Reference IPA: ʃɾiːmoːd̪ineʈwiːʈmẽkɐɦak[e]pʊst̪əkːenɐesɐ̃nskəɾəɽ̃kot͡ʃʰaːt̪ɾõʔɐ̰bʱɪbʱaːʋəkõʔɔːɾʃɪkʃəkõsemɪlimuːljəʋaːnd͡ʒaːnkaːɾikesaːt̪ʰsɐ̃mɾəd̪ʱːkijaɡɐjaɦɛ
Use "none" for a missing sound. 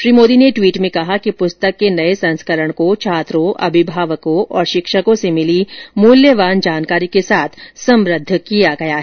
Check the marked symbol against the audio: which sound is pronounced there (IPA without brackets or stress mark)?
i